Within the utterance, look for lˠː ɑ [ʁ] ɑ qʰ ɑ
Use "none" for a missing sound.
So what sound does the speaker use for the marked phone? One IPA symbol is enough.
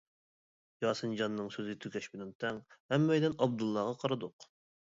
ʁ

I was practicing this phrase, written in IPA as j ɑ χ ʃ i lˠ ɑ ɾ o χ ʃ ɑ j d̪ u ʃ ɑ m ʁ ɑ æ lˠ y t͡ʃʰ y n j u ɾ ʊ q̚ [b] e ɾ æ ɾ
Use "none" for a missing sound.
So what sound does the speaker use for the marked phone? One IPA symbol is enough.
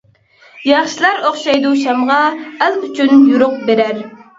b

